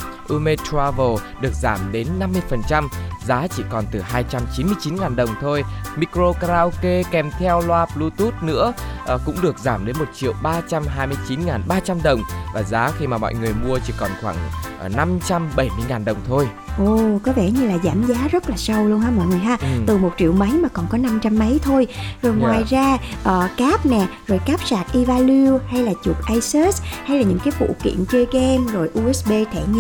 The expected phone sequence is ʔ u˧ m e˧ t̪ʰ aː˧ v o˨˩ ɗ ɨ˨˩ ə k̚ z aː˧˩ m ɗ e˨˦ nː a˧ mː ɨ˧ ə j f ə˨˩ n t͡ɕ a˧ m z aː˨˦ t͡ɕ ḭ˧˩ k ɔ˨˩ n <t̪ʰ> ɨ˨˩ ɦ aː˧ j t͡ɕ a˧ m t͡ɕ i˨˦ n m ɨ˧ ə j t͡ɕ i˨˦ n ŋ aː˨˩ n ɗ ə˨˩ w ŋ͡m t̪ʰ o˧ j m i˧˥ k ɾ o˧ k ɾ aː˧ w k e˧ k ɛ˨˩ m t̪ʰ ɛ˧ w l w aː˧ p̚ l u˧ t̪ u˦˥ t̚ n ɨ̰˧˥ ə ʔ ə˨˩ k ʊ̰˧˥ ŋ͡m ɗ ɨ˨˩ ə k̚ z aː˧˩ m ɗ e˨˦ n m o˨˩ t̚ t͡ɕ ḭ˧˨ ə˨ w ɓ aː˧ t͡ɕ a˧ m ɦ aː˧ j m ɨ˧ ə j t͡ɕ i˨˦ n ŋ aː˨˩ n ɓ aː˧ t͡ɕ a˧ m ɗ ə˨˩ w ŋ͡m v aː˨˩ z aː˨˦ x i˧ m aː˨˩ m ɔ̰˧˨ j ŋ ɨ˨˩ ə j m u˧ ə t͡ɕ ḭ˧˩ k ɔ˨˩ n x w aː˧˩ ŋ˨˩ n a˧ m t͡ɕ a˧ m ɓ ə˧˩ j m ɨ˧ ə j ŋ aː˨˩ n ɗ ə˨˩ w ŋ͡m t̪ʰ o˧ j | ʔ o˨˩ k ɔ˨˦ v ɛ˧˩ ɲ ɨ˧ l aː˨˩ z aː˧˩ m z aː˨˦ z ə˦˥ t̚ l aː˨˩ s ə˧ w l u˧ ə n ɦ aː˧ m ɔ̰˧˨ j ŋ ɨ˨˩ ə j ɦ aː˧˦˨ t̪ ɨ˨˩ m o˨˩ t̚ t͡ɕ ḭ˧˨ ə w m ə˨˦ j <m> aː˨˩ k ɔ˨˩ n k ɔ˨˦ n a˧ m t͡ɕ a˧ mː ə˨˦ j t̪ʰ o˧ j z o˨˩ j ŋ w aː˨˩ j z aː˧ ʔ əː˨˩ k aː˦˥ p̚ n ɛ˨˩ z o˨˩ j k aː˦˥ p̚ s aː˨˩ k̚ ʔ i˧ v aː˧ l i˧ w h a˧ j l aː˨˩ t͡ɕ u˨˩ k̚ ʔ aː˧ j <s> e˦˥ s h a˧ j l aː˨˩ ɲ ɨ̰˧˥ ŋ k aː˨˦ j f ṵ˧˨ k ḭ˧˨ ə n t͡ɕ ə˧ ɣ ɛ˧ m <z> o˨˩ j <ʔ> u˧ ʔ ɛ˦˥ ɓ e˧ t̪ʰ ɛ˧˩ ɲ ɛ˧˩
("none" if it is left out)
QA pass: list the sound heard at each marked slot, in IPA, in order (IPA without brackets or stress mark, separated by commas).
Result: t̪, m, s, z, ʔ